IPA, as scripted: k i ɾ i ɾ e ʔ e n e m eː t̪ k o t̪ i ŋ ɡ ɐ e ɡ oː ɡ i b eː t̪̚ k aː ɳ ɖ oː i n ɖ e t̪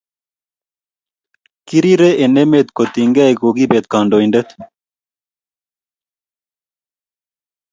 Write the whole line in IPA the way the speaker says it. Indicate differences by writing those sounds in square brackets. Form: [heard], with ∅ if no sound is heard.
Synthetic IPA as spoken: k i ɾ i ɾ e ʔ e n e m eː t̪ k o t̪ i ŋ ɡ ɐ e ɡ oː ɡ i b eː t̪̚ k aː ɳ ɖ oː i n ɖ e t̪